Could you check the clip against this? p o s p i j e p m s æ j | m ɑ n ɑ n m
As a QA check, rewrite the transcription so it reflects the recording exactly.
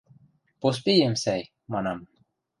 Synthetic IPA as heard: p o s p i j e m s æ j | m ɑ n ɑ m